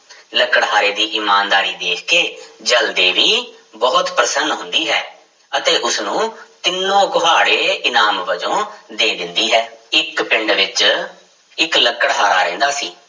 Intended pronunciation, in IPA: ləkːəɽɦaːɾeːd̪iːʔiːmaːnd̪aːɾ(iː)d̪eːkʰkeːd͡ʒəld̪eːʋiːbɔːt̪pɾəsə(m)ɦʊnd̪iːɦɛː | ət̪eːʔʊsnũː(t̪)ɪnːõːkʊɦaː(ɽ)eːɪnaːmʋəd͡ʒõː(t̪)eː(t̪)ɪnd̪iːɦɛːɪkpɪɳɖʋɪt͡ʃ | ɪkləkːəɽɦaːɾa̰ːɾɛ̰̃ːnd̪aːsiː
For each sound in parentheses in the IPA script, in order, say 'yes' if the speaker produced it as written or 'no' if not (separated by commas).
yes, no, yes, yes, no, no